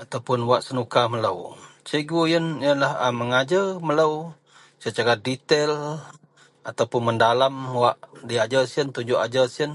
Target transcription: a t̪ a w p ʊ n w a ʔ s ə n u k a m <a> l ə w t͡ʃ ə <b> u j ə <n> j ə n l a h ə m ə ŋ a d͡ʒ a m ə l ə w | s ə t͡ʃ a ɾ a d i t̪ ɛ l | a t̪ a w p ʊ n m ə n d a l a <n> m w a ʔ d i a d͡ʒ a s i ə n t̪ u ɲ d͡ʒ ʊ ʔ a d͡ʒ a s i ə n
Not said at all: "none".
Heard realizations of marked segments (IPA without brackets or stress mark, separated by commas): ə, ɡ, n, none